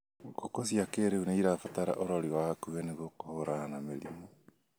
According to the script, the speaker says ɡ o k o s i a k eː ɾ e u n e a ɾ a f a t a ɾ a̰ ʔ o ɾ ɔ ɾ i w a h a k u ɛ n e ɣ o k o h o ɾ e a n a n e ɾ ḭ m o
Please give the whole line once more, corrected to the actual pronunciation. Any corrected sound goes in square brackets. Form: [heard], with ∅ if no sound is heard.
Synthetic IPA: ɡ o k o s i a k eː ɾ e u n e [i] ɾ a f a t a ɾ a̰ ʔ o ɾ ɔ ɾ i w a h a k u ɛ n e ɣ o k o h o ɾ [a] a n a [m] e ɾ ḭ m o